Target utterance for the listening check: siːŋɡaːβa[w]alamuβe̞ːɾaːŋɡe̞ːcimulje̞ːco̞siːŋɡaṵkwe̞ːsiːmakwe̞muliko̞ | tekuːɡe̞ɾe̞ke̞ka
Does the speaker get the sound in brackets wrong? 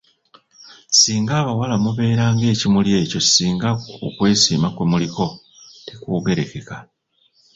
no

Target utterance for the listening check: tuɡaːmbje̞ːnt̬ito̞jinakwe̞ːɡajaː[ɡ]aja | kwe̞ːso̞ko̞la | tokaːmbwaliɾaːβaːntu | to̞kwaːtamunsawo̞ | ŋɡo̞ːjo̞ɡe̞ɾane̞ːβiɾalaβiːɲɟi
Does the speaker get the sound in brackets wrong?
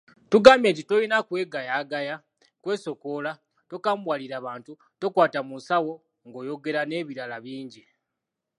no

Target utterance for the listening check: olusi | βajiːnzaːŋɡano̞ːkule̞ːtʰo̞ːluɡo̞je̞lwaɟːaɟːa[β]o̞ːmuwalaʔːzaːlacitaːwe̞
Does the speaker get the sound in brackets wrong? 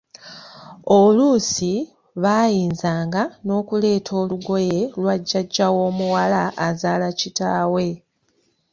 yes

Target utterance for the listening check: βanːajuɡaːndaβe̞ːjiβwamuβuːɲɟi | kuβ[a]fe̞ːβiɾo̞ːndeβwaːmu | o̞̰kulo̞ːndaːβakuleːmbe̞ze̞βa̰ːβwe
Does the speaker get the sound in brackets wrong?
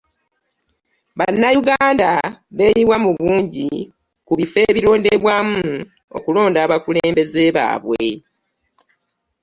yes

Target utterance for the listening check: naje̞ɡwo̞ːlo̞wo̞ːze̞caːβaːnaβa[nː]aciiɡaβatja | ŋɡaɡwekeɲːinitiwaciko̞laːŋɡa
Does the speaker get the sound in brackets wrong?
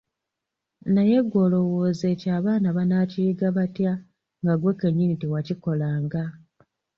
yes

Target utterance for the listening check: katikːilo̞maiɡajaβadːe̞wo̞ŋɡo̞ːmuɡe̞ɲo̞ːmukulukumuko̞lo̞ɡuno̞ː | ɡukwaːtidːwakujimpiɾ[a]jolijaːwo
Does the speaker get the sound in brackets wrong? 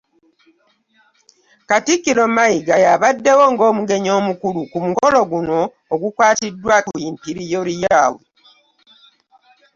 yes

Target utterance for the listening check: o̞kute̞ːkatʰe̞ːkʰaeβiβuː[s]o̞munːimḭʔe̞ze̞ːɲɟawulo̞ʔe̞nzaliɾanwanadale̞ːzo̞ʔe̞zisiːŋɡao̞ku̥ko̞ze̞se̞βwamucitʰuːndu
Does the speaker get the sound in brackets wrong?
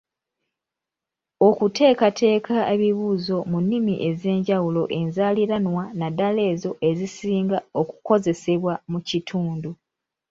yes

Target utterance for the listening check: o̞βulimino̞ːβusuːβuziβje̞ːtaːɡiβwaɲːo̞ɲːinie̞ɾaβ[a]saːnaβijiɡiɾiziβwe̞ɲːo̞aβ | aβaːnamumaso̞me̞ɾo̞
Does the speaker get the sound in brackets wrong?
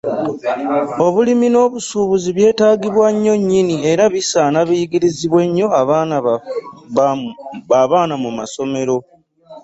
yes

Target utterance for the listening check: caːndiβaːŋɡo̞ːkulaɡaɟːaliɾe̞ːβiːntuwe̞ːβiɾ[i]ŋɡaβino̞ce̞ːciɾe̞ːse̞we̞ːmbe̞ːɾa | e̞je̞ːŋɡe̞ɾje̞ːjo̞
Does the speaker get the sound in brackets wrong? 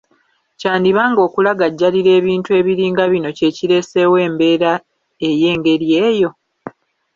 yes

